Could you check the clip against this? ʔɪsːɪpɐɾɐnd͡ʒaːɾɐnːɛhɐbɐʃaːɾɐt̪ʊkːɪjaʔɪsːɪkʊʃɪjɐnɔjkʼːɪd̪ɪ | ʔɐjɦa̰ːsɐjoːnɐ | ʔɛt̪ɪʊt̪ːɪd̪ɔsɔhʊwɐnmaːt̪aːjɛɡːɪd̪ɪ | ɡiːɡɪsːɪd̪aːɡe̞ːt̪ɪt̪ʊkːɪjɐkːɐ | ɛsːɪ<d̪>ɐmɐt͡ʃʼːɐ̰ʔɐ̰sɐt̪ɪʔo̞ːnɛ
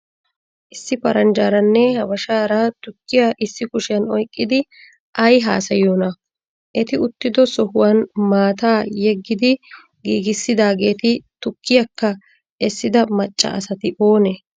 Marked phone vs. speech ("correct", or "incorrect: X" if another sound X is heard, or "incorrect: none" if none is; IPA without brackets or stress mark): correct